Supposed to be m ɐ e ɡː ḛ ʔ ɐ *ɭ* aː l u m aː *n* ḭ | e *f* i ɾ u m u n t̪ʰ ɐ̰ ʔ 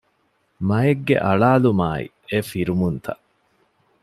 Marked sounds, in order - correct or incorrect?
correct, incorrect, correct

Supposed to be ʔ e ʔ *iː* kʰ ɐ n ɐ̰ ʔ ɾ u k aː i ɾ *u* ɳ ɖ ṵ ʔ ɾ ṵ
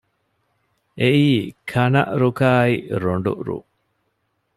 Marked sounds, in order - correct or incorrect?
correct, incorrect

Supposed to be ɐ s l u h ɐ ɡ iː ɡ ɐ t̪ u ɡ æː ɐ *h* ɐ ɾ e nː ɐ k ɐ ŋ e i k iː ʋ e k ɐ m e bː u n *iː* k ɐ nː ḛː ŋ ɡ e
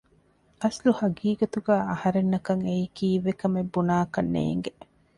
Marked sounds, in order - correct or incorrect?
correct, incorrect

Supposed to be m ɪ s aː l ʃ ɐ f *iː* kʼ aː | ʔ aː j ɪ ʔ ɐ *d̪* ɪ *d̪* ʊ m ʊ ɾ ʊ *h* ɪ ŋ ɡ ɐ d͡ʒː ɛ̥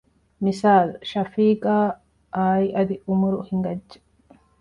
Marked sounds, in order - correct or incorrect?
correct, correct, incorrect, correct

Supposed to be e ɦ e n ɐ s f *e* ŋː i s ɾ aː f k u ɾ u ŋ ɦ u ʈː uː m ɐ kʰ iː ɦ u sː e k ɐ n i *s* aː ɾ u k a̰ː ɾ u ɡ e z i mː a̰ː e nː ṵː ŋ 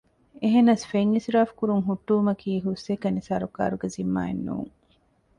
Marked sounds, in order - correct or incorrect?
correct, correct

